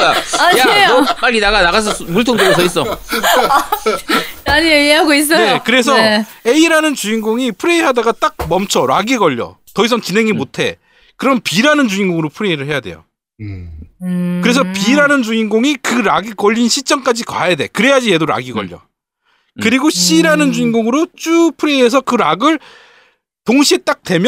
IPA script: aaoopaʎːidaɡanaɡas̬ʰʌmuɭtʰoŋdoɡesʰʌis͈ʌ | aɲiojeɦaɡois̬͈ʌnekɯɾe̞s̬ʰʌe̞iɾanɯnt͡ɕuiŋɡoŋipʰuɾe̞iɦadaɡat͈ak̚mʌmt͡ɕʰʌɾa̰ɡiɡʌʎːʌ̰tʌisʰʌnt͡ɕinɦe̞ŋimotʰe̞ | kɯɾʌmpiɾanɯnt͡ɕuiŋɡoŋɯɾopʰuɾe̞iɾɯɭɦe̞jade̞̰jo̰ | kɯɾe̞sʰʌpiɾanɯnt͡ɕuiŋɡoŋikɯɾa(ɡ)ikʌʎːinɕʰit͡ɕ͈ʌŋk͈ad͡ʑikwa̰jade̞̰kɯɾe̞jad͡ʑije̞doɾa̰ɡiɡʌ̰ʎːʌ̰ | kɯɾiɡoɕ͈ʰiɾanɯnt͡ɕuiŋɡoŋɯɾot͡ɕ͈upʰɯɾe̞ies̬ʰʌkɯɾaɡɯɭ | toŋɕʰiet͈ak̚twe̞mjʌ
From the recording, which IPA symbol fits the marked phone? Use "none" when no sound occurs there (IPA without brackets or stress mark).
ɡ